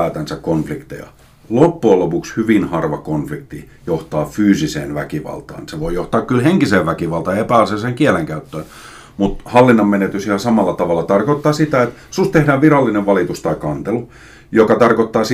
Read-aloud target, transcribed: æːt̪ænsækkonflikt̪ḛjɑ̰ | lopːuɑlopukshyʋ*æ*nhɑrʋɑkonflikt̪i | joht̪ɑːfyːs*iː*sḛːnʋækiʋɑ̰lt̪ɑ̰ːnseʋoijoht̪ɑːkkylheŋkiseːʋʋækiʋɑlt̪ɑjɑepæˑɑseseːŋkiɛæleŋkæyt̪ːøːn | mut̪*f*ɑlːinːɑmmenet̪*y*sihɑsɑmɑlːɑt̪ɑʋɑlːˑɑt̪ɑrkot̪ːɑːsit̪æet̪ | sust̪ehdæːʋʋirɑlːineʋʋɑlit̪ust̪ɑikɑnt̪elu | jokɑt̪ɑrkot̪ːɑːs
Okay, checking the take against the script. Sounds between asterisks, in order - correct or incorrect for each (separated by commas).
incorrect, incorrect, incorrect, correct